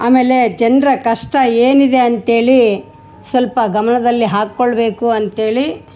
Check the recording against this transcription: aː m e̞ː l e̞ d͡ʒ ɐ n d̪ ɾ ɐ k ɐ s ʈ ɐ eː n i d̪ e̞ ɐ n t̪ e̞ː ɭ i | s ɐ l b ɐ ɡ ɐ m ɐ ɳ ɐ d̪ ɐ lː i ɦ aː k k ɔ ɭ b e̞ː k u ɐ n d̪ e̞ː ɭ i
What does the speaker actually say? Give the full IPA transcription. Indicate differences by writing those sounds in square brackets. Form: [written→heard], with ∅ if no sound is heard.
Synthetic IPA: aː m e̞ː l e̞ d͡ʒ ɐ n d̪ ɾ ɐ k ɐ [s→ʂ] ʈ ɐ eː n i d̪ e̞ ɐ n t̪ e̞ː ɭ i | s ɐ l [b→p] ɐ ɡ ɐ m ɐ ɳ ɐ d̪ ɐ lː i ɦ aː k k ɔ ɭ b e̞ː k u ɐ n [d̪→t̪] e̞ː ɭ i

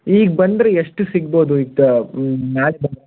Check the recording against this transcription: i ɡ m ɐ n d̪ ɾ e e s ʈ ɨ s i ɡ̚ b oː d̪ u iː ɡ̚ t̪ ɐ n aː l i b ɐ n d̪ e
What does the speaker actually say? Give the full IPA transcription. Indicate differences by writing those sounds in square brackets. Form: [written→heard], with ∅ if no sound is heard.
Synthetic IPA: [i→iː] ɡ [m→b] ɐ n d̪ ɾ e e [s→ʂ] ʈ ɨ s i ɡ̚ b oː d̪ u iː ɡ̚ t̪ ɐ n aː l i b ɐ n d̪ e

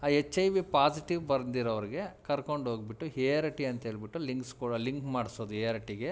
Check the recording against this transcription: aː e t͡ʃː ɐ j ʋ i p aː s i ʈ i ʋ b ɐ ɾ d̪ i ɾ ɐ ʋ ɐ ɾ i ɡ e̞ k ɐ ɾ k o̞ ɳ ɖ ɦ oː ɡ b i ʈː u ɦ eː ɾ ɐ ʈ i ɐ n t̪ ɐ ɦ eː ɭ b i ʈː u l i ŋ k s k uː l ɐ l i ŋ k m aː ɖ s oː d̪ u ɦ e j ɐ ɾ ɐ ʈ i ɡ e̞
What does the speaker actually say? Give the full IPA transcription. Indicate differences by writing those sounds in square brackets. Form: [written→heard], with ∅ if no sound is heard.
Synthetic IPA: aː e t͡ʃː ɐ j ʋ i p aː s i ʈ i ʋ b ɐ ɾ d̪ i ɾ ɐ ʋ ɐ ɾ i ɡ e̞ k ɐ ɾ k o̞ ɳ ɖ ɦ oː ɡ b i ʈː u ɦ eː ɾ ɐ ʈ i ɐ n t̪ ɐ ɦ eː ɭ b i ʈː u l i ŋ k s k uː [l→ɽ] ɐ l i ŋ k m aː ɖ s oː d̪ u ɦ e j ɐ ɾ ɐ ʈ i ɡ e̞

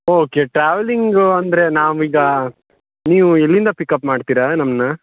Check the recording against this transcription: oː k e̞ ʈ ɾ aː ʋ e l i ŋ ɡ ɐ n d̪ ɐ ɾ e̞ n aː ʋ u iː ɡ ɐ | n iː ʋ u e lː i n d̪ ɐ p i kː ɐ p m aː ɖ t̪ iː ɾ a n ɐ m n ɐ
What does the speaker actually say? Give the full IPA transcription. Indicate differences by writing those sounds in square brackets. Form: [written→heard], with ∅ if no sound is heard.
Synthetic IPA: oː k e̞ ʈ ɾ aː ʋ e l i ŋ ɡ ɐ n d̪ ɐ ɾ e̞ n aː ʋ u iː ɡ ɐ | n iː ʋ u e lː i n d̪ ɐ p i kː ɐ p m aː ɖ t̪ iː ɾ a n ɐ m n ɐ

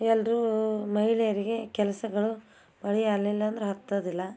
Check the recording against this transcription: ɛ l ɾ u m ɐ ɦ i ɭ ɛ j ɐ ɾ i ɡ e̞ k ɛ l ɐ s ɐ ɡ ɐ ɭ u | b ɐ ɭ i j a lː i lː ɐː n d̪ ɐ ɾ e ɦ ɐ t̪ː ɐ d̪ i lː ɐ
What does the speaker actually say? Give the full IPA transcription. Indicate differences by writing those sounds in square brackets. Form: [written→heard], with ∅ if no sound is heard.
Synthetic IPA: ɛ l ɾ u m ɐ ɦ i ɭ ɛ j ɐ ɾ i ɡ e̞ k ɛ l ɐ s ɐ ɡ ɐ ɭ u | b ɐ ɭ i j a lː i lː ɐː n d̪ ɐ ɾ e ɦ ɐ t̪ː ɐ d̪ i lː ɐ

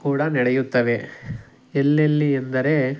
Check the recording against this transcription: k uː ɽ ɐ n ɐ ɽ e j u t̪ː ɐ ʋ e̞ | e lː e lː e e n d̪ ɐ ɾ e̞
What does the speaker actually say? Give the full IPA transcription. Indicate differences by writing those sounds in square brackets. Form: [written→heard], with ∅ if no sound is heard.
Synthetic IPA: k uː ɽ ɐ n ɐ ɽ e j u t̪ː ɐ ʋ e̞ | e lː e lː [e→i] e n d̪ ɐ ɾ e̞

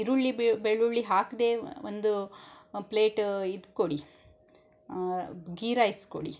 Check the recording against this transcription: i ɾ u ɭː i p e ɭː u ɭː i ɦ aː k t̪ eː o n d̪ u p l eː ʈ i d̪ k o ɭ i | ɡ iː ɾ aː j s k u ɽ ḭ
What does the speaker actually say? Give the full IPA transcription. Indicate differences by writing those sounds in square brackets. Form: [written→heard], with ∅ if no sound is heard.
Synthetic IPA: i ɾ u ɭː i [p→b] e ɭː u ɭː i ɦ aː k [t̪→d̪] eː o n d̪ u p l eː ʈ i d̪ k o [ɭ→ɽ] i | ɡ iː ɾ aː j s k [u→o] ɽ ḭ

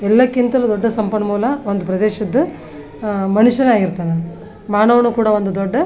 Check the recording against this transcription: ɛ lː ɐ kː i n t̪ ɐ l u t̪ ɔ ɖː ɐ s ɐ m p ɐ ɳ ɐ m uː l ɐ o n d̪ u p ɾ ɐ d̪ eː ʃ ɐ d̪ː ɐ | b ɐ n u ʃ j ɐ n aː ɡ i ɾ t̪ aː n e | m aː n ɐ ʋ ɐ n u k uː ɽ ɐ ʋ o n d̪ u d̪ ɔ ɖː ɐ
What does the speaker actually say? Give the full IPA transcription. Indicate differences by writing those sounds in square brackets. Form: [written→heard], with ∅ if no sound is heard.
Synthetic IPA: ɛ lː ɐ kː i n t̪ ɐ l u [t̪→d̪] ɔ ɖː ɐ s ɐ m p ɐ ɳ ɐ m uː l ɐ o n d̪ u p ɾ ɐ d̪ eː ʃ ɐ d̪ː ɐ | [b→m] ɐ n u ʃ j ɐ n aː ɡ i ɾ t̪ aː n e | m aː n ɐ ʋ ɐ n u k uː ɽ ɐ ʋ o n d̪ u d̪ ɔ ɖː ɐ

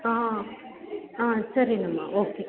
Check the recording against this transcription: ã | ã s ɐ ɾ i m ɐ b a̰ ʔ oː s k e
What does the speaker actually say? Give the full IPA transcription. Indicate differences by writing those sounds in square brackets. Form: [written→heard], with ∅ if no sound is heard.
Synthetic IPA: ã | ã s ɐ ɾ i [m→n] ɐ [b→m] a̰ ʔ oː [s→∅] k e

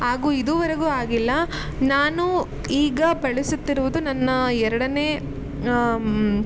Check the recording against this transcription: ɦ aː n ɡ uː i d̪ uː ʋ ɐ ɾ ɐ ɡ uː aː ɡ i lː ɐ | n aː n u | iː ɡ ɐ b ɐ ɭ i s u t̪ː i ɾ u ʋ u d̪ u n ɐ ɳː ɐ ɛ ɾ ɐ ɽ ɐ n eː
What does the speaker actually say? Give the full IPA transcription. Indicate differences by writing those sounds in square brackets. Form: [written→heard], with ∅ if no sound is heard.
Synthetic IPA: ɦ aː [n→∅] ɡ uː i d̪ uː ʋ ɐ ɾ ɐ ɡ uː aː ɡ i lː ɐ | n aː n u | iː ɡ ɐ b ɐ ɭ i s u t̪ː i ɾ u ʋ u d̪ u n ɐ [ɳː→nː] ɐ ɛ ɾ ɐ ɽ ɐ n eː

